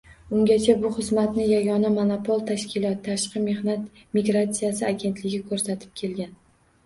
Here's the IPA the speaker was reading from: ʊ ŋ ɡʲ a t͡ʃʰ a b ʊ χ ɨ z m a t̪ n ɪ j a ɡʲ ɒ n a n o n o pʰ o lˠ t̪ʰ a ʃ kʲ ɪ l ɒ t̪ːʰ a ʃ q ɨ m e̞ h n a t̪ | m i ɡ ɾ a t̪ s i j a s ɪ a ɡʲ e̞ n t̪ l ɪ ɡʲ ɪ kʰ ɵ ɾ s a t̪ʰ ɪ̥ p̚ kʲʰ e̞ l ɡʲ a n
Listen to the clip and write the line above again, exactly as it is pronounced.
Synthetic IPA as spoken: ʊ ŋ ɡʲ a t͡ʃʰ a b ʊ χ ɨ z m a t̪ n ɪ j a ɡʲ ɒ n a m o n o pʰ o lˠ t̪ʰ a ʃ kʲ ɪ l ɒ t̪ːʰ a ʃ q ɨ m e̞ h n a t̪ | m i ɡ ɾ a t̪ s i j a s ɪ a ɡʲ e̞ n t̪ l ɪ ɡʲ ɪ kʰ ɵ ɾ s a t̪ʰ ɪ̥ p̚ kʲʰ e̞ l ɡʲ a n